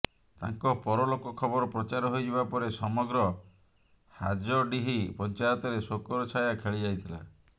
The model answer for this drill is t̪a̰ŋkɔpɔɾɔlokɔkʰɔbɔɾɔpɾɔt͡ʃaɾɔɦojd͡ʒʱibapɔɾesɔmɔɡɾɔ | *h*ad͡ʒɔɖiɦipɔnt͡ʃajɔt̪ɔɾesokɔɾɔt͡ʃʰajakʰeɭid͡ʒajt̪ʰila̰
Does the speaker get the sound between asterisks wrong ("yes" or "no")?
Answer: no